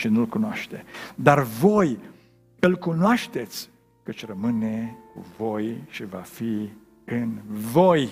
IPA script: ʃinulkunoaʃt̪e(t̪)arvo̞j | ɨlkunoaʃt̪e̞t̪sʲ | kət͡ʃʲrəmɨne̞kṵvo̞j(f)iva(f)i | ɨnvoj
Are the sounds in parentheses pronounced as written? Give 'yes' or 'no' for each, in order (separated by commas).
no, no, yes